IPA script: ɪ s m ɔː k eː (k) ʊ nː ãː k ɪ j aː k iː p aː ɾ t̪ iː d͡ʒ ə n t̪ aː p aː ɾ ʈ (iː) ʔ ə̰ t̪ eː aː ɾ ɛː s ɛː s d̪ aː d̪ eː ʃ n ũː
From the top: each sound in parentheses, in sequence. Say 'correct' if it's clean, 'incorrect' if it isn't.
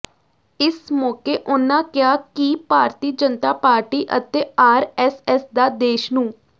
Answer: incorrect, correct

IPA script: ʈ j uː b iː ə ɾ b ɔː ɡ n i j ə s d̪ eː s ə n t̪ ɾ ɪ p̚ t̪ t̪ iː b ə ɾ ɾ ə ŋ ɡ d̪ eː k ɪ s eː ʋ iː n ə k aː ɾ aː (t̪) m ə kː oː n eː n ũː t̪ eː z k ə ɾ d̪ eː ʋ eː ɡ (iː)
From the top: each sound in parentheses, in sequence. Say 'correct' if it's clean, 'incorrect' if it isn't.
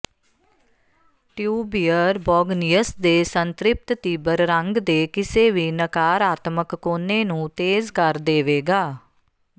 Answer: correct, incorrect

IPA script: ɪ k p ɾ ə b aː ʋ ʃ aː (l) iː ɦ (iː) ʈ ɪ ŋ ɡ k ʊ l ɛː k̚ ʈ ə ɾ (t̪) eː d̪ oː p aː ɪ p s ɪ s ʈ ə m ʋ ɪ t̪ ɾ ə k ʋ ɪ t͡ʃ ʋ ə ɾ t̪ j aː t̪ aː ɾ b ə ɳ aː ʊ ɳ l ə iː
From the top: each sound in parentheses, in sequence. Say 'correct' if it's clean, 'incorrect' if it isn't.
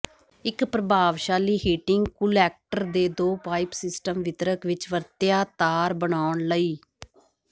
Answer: correct, correct, incorrect

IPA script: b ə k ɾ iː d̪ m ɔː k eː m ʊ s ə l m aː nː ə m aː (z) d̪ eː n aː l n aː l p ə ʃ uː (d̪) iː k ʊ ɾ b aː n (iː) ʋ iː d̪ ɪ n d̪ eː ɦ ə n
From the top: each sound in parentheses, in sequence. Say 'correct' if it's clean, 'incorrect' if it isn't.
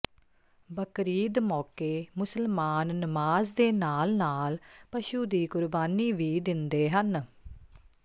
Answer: correct, correct, correct

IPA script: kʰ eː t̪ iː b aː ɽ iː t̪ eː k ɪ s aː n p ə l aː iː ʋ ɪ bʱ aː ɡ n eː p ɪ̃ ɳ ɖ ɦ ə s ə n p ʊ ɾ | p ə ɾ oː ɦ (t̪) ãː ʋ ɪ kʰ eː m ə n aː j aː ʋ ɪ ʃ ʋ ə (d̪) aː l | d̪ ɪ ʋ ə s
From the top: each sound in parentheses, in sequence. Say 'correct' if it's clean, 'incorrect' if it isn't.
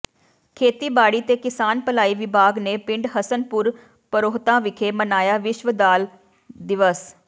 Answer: correct, correct

